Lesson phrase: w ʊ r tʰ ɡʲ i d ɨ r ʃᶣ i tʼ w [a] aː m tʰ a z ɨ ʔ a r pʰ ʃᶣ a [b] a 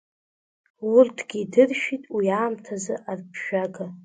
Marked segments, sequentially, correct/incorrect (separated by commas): incorrect, incorrect